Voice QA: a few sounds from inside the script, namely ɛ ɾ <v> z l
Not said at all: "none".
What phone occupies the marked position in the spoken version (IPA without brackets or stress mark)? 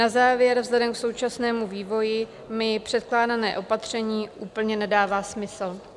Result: v